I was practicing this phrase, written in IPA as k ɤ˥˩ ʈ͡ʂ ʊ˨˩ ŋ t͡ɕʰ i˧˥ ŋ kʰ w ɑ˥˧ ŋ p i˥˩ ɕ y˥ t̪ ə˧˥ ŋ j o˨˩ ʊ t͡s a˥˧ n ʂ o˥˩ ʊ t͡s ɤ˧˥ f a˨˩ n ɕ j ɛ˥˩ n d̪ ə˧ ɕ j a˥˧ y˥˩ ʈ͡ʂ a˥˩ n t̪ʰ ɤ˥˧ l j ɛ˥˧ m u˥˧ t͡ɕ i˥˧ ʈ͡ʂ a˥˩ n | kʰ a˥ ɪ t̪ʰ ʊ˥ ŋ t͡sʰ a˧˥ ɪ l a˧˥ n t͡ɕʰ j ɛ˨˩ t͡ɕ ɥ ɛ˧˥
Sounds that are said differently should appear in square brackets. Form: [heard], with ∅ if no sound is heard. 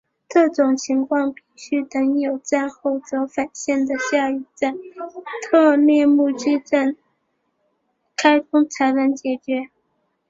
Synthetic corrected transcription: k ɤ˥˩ ʈ͡ʂ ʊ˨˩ ŋ t͡ɕʰ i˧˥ ŋ kʰ w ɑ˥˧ ŋ p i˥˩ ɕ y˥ t̪ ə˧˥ ŋ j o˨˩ ʊ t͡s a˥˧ n [x] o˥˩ ʊ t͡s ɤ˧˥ f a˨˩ n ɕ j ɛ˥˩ n d̪ [ə˩] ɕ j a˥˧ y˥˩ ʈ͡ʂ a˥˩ n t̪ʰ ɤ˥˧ l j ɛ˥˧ m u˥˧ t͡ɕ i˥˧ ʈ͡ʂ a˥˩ n | kʰ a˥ ɪ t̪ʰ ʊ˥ ŋ t͡sʰ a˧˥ ɪ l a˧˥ n [t͡ɕ] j ɛ˨˩ t͡ɕ ɥ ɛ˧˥